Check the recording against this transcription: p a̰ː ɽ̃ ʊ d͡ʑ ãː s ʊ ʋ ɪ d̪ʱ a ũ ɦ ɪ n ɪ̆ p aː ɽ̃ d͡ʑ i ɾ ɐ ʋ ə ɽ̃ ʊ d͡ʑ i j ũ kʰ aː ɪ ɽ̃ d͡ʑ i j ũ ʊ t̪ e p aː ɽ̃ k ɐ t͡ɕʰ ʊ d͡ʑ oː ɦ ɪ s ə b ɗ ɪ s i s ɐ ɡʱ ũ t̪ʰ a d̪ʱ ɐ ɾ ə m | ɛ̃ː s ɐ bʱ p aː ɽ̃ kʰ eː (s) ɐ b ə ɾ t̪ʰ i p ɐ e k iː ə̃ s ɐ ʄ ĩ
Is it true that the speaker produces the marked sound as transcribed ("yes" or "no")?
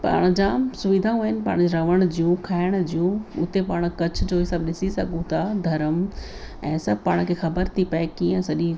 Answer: no